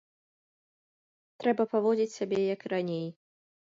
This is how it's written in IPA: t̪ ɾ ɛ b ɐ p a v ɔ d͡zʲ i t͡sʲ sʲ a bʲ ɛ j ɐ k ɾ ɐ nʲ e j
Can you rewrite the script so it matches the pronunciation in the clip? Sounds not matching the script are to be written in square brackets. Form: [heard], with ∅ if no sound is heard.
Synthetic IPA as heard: t̪ ɾ ɛ b ɐ p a v ɔ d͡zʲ i t͡sʲ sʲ a bʲ ɛ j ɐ k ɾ [a] nʲ e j

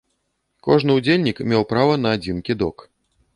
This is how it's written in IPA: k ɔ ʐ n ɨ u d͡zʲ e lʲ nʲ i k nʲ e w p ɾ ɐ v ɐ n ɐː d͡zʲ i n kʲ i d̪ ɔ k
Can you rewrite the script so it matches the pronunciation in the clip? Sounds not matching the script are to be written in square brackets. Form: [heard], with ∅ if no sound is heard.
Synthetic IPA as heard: k ɔ ʐ n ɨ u d͡zʲ e lʲ nʲ i k [mʲ] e w p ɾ [a] v ɐ n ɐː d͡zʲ i n kʲ i d̪ ɔ k

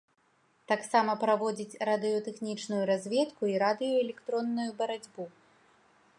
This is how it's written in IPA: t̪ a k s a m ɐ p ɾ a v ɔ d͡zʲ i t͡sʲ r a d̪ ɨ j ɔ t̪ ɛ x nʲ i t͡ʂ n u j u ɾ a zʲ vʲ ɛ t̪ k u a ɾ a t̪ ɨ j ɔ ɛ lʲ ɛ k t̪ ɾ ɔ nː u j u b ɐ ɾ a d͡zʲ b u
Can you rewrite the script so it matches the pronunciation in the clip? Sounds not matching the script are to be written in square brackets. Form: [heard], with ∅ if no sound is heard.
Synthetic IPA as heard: t̪ a k s a m ɐ p ɾ a v ɔ d͡zʲ i t͡sʲ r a d̪ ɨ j ɔ t̪ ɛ x nʲ i t͡ʂ n u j u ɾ a zʲ vʲ ɛ t̪ k u [i] ɾ a [d̪] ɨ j ɔ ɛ lʲ ɛ k t̪ ɾ ɔ nː u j u b ɐ ɾ a d͡zʲ b u

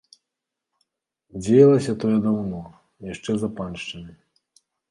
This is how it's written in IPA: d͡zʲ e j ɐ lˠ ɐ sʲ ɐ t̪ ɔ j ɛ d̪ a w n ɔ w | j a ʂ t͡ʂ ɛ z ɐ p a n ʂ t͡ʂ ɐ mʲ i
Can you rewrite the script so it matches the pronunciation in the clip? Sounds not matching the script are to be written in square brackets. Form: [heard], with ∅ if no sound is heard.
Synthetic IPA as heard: d͡zʲ e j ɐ lˠ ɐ sʲ ɐ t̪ ɔ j ɛ d̪ a w n ɔ [∅] | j a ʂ t͡ʂ ɛ z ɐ p a n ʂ t͡ʂ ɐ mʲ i

